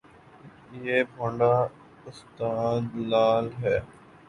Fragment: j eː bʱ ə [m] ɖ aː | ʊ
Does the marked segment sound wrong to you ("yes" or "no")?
yes